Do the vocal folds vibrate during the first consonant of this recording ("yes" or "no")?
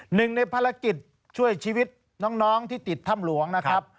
yes